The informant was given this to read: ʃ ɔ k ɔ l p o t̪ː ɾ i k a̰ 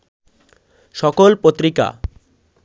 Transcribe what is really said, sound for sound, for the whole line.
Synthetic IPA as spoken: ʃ ɔ k o l p o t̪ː ɾ i k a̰